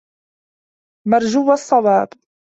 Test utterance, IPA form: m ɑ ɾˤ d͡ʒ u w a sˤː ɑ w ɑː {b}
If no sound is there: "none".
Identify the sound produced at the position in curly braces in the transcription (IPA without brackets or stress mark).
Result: b